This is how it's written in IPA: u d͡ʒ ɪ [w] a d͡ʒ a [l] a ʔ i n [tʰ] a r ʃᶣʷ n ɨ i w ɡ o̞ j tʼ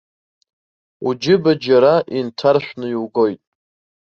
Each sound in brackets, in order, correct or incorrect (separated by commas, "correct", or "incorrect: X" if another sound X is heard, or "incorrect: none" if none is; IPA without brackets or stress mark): incorrect: b, incorrect: ɾ, correct